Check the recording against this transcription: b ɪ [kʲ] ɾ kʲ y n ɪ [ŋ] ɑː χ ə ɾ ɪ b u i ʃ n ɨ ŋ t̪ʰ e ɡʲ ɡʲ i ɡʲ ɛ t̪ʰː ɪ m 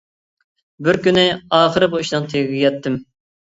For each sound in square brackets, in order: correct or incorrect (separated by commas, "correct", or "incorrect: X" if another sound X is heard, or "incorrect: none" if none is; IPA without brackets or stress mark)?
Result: incorrect: none, incorrect: none